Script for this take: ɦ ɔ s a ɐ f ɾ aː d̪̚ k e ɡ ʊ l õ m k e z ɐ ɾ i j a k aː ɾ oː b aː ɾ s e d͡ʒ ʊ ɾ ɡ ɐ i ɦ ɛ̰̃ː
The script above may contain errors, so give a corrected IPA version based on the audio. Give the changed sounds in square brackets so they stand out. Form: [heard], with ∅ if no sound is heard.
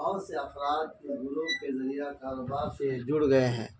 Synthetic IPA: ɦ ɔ s [e] ɐ f ɾ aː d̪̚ k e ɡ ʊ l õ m k e z ɐ ɾ i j a k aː ɾ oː b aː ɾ s e d͡ʒ ʊ [ɽ] ɡ ɐ [e] ɦ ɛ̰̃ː